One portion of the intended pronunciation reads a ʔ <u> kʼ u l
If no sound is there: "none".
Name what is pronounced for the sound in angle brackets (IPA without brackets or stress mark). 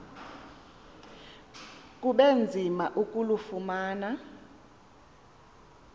u